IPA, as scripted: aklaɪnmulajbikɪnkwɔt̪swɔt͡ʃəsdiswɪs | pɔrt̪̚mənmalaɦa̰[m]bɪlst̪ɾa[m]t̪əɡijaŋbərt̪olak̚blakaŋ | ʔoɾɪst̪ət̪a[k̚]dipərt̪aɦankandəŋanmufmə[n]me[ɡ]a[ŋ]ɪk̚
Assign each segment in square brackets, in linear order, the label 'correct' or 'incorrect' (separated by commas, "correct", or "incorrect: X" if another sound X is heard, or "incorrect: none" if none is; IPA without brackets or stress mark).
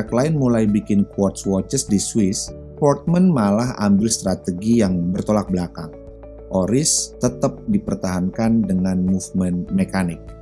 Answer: correct, incorrect: none, incorrect: p̚, correct, incorrect: k, incorrect: n